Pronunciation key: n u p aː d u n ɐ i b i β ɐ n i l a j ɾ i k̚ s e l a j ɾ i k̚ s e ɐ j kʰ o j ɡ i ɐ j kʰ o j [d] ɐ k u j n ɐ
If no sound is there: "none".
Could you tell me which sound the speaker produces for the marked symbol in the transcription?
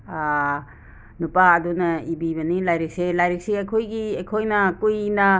n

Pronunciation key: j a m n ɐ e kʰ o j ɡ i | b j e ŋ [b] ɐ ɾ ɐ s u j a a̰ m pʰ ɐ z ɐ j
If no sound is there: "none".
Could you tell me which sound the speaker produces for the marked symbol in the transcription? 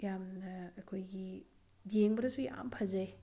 b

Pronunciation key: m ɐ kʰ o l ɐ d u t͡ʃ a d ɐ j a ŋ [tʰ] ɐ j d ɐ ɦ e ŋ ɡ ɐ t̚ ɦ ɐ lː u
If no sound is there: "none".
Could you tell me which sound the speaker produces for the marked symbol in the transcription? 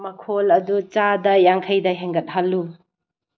kʰ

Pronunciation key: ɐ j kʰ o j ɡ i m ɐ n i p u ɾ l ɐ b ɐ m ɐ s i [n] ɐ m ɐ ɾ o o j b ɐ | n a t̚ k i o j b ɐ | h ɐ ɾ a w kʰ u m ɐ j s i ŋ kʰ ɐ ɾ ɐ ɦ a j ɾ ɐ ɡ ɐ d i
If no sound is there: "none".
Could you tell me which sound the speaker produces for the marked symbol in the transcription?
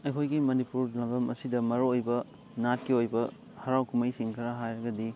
d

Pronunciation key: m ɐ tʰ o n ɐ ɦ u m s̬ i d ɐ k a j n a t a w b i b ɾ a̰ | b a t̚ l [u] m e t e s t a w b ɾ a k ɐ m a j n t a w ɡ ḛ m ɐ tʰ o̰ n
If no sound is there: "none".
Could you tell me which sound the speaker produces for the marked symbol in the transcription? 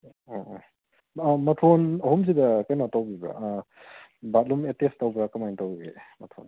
u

